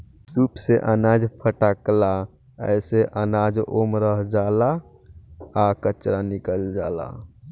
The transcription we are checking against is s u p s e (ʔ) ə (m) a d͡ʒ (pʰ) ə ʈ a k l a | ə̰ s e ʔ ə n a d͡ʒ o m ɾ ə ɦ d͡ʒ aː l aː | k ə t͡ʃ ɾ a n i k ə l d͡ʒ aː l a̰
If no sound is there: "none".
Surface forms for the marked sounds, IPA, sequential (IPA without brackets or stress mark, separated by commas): ʔ, n, pʰ